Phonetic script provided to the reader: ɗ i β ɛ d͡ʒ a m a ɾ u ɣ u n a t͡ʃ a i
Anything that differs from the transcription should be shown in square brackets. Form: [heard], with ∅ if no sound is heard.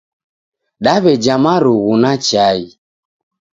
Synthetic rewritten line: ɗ [a] β ɛ d͡ʒ a m a ɾ u ɣ u n a t͡ʃ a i